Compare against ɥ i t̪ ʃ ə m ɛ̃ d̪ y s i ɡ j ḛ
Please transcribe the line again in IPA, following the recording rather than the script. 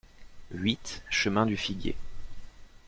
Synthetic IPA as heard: ɥ i t̪ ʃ ə m ɛ̃ d̪ y f i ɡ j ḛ